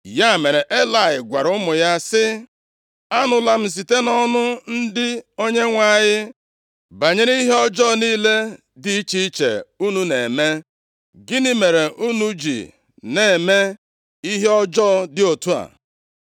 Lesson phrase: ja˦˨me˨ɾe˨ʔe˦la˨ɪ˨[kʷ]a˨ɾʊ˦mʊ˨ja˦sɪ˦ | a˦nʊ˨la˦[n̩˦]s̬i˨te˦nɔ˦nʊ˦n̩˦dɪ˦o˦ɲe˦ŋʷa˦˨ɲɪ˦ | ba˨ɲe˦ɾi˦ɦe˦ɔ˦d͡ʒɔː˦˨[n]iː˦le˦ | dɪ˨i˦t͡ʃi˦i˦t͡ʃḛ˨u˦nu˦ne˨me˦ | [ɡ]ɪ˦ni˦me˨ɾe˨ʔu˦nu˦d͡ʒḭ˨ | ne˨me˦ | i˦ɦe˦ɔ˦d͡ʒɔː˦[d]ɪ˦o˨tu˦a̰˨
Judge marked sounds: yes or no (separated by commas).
no, no, yes, yes, yes